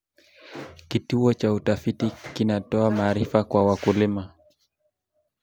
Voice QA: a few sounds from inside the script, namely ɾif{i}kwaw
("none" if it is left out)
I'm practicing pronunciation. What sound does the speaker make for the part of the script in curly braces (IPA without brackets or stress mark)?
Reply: a